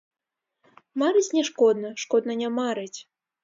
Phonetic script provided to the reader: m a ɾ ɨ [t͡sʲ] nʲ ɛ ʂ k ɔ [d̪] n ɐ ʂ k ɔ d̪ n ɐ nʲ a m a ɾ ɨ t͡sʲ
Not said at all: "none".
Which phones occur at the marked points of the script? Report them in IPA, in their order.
t͡sʲ, d̪

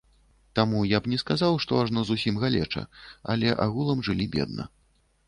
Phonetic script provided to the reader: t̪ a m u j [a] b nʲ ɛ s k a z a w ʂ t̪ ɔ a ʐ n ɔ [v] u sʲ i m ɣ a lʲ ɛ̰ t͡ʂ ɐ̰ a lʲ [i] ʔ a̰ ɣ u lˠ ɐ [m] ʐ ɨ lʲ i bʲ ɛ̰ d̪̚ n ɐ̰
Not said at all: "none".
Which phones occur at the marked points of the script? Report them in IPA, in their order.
a, z, ɛ, m

